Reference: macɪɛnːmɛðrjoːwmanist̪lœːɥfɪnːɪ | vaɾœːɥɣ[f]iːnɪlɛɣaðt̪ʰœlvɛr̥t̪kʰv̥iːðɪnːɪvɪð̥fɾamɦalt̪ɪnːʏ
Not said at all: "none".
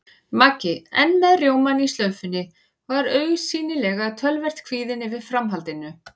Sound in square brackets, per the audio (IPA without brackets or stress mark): s